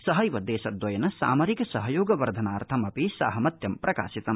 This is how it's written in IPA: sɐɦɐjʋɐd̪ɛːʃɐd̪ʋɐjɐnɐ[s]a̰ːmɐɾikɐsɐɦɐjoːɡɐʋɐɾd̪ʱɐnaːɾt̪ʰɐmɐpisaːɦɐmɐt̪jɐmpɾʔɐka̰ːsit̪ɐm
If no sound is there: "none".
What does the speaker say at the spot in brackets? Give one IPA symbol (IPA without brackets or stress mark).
s